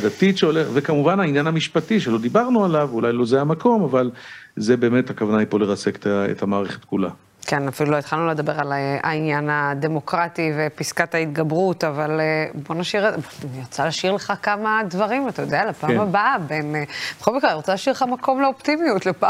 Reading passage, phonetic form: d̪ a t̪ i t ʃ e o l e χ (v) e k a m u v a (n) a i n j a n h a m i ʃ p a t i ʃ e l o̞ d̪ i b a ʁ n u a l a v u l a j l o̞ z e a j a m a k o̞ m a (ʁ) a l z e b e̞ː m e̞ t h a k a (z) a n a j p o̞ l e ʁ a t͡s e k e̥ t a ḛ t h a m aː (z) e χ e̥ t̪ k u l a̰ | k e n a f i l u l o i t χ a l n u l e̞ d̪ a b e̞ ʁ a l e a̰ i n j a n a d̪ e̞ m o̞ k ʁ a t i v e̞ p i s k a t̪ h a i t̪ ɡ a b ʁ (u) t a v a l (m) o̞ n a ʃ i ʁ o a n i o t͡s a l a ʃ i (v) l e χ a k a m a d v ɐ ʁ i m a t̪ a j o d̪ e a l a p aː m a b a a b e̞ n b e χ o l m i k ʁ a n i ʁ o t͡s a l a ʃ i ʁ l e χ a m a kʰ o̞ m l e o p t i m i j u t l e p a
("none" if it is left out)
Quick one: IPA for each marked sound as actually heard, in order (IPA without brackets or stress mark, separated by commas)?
v, n, v, v, ʁ, u, b, ʁ